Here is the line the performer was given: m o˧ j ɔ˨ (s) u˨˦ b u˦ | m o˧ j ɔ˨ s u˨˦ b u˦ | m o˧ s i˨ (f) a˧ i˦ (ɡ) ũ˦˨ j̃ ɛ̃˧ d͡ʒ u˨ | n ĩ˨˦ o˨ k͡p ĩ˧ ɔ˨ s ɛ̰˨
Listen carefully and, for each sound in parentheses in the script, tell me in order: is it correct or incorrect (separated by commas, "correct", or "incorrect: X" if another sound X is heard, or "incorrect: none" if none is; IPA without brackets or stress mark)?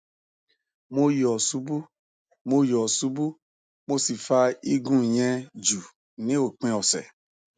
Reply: correct, correct, correct